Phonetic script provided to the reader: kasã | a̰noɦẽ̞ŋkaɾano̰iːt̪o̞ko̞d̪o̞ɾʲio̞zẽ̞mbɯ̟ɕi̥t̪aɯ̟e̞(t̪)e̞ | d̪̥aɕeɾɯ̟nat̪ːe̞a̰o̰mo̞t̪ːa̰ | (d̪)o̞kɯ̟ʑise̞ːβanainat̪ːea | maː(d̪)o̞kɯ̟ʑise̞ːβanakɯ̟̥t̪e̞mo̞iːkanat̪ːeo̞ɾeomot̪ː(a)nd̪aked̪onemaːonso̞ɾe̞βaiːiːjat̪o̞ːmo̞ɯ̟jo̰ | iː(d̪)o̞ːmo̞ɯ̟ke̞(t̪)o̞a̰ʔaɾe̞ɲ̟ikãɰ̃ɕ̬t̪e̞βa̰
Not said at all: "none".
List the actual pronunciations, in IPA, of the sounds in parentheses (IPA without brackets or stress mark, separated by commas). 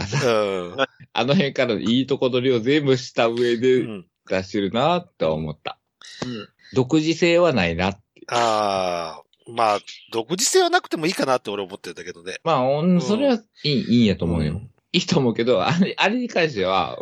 d̪, d̪, d̪, e, t̪, d̪